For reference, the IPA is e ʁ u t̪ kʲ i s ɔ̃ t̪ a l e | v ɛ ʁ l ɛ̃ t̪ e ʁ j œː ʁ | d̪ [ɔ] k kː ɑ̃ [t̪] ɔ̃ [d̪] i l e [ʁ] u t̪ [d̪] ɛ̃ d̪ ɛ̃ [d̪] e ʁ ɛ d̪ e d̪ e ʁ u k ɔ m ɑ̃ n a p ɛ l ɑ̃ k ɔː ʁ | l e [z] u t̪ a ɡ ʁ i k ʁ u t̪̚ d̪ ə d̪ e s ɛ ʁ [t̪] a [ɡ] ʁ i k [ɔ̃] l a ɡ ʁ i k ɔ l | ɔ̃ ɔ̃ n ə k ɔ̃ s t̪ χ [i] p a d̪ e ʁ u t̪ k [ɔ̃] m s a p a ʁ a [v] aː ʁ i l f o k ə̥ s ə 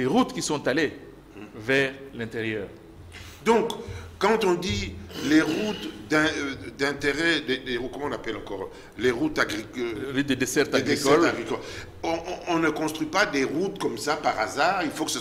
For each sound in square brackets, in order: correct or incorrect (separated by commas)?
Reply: incorrect, correct, correct, correct, correct, incorrect, incorrect, correct, correct, incorrect, correct, incorrect, incorrect